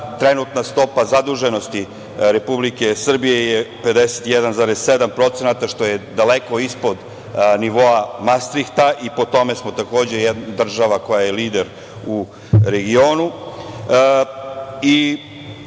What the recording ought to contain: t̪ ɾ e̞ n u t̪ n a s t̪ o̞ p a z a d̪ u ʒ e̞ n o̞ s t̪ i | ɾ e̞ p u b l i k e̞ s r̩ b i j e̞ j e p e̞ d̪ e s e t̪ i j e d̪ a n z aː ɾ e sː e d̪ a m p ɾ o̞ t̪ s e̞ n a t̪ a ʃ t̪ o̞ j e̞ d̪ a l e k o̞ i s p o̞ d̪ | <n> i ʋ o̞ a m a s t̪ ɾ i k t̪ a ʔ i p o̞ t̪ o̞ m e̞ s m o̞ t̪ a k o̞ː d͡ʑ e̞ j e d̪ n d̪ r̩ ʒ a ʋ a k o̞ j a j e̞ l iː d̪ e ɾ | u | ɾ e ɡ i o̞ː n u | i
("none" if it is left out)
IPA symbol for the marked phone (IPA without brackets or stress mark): n